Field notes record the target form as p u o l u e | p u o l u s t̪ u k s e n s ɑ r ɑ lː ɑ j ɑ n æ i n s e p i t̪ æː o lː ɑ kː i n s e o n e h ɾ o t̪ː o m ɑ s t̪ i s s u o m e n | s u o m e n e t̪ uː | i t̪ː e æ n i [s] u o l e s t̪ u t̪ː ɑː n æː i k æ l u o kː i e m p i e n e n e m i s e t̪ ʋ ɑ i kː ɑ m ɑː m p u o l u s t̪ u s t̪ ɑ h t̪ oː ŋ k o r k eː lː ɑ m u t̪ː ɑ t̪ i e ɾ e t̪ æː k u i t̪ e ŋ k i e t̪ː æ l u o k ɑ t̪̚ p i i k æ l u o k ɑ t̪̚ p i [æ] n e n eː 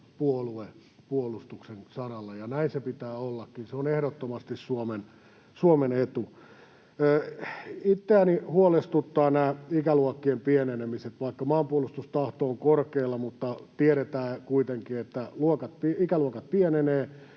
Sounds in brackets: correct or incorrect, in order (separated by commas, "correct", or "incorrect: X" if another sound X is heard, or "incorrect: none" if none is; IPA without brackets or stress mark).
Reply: incorrect: h, incorrect: e